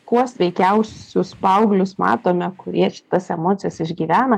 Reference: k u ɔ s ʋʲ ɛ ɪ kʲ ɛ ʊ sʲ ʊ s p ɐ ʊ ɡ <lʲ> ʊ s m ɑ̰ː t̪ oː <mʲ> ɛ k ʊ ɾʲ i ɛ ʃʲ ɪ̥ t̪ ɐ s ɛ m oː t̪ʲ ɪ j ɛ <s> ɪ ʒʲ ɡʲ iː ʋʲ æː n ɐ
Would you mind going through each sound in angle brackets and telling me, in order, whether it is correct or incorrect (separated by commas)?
correct, correct, correct